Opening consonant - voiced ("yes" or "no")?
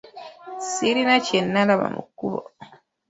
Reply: no